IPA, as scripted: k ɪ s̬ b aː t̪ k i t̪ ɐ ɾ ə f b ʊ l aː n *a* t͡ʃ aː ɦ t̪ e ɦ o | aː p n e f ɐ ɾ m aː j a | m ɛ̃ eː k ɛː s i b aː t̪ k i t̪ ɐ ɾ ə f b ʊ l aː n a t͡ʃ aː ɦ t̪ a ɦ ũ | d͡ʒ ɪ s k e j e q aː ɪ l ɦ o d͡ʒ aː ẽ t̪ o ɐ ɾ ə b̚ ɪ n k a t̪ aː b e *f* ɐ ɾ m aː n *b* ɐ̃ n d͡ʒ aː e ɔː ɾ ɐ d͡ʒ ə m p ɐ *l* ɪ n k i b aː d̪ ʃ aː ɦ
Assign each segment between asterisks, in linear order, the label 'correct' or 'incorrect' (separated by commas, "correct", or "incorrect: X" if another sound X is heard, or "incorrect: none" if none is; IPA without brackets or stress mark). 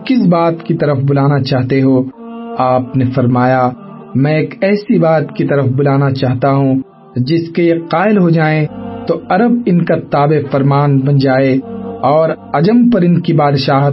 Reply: correct, correct, correct, incorrect: ɾ